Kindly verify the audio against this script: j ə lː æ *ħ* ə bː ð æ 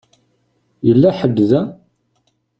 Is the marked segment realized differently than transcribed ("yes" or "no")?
no